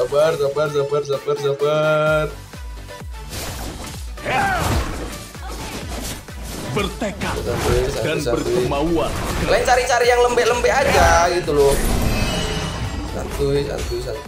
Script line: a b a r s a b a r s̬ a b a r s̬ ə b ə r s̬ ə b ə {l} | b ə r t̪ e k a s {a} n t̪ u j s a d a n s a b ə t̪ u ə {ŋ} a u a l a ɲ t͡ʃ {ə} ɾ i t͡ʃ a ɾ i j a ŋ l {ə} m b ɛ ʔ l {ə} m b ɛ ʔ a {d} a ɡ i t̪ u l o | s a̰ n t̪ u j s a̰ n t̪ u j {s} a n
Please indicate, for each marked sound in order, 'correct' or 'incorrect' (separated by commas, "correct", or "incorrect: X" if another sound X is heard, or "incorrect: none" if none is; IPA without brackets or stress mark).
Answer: incorrect: r, correct, incorrect: m, incorrect: a, correct, correct, incorrect: d͡ʒ, correct